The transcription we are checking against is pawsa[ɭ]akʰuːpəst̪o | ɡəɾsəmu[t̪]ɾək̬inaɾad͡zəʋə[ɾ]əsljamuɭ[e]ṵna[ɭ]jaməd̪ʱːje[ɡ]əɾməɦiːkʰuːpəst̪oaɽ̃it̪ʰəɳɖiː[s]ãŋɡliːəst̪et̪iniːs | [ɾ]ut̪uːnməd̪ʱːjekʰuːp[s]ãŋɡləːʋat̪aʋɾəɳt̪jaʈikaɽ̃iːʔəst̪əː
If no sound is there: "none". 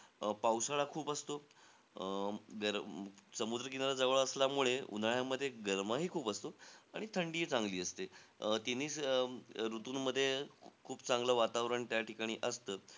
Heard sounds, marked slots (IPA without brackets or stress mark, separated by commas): ɭ, d̪, ɭ, e, ɭ, ɡ, t͡s, ɾ, t͡s